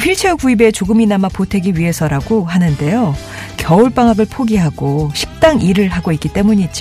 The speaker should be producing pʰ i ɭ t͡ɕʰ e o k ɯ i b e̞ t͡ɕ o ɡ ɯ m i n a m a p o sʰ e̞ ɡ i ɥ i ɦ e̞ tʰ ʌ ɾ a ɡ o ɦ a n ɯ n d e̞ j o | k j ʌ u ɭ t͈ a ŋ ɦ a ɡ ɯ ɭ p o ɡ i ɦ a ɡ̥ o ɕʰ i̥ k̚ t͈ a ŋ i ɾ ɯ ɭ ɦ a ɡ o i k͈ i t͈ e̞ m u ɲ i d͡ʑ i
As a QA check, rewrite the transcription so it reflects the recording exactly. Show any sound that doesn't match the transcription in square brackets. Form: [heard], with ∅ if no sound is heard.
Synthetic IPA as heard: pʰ i ɭ t͡ɕʰ e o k [u] i b e̞ t͡ɕ o ɡ ɯ m i n a m a p o [tʰ] e̞ ɡ i ɥ i ɦ e̞ [sʰ] ʌ ɾ a ɡ o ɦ a n ɯ n d e̞ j o | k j ʌ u ɭ [p͈] a ŋ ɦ a ɡ ɯ ɭ [pʰ] o ɡ i ɦ a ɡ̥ o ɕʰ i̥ k̚ t͈ a ŋ i ɾ ɯ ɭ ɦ a ɡ o i k͈ i t͈ e̞ m u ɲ i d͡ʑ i